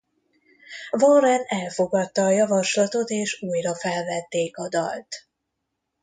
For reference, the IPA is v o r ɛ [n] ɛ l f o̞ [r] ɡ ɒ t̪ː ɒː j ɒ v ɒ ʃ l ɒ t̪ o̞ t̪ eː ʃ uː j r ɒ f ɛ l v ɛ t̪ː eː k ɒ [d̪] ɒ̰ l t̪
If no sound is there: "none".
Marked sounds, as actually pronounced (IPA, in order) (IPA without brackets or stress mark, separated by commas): n, none, d̪